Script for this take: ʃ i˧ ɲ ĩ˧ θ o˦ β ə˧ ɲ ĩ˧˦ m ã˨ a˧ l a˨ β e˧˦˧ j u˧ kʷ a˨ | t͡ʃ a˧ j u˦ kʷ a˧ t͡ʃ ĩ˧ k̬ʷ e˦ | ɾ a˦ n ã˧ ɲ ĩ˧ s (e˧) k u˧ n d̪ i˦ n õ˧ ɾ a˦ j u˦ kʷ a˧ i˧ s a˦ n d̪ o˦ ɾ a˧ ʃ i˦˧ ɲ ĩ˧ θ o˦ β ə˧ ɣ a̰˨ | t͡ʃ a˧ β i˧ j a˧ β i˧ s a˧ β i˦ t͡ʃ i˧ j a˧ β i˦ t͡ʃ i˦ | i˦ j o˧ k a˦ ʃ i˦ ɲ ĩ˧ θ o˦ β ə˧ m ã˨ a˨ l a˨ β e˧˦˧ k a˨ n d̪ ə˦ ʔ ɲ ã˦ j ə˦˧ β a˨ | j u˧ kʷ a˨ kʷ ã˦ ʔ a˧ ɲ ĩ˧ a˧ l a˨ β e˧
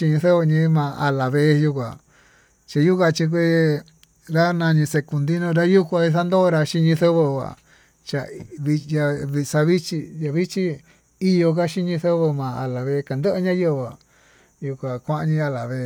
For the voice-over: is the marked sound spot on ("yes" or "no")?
yes